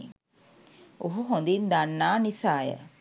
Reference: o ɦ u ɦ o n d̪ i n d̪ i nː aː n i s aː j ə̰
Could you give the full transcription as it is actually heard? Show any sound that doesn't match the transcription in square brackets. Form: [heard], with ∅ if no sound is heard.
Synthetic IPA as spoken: o ɦ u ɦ o n d̪ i n d̪ [a] nː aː n i s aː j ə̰